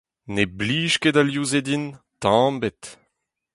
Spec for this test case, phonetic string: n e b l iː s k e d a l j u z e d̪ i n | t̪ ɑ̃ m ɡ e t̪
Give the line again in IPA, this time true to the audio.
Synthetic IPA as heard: n e b l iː ʃ k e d a l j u z e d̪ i n | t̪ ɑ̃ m b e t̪